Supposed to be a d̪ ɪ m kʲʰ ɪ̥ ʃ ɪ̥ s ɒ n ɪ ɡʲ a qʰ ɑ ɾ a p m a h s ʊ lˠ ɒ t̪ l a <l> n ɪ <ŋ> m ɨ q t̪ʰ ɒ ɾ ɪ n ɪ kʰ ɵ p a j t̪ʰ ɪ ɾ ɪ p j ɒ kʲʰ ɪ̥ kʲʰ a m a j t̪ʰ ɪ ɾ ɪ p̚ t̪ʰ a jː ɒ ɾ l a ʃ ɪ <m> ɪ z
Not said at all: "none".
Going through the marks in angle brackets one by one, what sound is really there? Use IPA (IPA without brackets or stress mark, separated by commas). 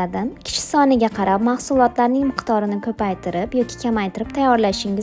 ɾ, ŋ, ŋ